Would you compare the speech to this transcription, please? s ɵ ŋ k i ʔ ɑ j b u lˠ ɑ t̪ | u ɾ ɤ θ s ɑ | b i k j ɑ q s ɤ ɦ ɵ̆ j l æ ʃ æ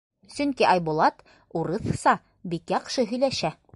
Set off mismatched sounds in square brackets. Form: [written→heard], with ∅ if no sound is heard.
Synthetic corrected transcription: s ɵ ŋ k i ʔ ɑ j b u lˠ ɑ t̪ | u ɾ ɤ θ s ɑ | b i k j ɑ q [s→ʃ] ɤ ɦ ɵ̆ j l æ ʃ æ

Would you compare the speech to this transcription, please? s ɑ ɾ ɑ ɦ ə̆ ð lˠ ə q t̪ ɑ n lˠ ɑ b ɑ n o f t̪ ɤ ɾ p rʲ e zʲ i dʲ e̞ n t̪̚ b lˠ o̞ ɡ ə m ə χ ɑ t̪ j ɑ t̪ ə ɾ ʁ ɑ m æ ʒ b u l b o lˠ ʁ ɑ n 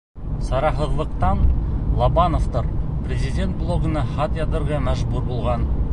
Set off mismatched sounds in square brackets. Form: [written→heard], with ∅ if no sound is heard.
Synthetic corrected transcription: s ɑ ɾ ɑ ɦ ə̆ ð lˠ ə q t̪ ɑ n lˠ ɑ b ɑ n o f t̪ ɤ ɾ p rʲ e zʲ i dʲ e̞ n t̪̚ b lˠ o̞ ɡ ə [m→n] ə χ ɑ t̪ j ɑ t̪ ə ɾ ʁ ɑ m æ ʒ b u [l→ɾ] b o lˠ ʁ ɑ n

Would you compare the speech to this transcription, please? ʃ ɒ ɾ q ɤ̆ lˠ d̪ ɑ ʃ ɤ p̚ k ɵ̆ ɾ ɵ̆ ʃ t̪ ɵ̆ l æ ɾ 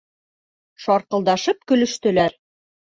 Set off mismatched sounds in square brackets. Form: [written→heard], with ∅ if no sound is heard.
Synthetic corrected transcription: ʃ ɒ ɾ q ɤ̆ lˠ d̪ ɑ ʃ ɤ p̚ k ɵ̆ [ɾ→l] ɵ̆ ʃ t̪ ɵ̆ l æ ɾ

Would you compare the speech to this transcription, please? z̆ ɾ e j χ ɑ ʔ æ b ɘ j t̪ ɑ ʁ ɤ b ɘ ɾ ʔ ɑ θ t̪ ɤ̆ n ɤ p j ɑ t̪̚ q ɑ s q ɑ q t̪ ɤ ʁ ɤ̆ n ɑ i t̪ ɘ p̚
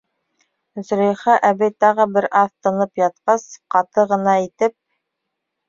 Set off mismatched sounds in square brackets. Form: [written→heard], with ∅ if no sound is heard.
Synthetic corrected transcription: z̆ ɾ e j χ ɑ ʔ æ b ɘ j t̪ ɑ ʁ ɤ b ɘ ɾ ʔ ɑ θ t̪ ɤ̆ n ɤ p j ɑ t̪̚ q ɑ s q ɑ [q→∅] t̪ ɤ ʁ ɤ̆ n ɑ i t̪ ɘ p̚

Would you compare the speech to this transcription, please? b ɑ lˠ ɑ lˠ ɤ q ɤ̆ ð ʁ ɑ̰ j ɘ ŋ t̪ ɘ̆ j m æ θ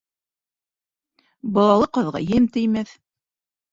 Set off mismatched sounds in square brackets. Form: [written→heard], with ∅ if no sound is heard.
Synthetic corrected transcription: b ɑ lˠ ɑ lˠ ɤ q ɤ̆ ð ʁ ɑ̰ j ɘ [ŋ→m] t̪ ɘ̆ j m æ θ

